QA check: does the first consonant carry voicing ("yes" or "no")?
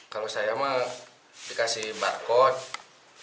no